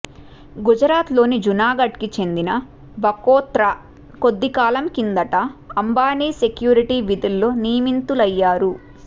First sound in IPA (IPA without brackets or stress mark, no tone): ɡ